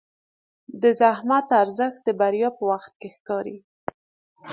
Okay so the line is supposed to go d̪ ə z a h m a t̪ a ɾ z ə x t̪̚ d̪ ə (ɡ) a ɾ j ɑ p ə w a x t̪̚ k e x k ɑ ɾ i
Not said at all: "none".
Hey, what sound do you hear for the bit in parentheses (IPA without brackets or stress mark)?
b